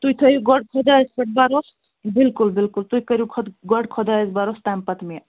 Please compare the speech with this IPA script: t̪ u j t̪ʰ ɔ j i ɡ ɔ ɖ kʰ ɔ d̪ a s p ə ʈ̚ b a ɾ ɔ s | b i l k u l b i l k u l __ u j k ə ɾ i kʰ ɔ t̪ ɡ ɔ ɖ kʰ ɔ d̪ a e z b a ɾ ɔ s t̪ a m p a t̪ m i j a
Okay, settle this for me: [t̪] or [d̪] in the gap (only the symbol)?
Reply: t̪